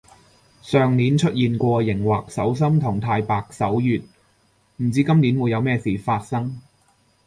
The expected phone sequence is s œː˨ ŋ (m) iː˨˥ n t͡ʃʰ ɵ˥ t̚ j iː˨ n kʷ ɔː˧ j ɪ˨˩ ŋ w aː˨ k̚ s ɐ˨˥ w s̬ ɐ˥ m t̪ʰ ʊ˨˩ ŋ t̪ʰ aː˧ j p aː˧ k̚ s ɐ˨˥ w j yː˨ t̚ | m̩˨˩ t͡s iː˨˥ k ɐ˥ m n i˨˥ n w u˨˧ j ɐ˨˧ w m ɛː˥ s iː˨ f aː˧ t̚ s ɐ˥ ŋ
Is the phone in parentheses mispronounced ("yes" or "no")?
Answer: yes